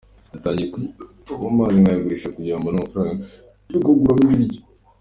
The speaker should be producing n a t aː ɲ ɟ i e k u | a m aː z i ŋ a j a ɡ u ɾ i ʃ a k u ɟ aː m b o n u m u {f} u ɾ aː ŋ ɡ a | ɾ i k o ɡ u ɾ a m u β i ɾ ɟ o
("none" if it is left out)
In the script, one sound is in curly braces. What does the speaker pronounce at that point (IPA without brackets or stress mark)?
f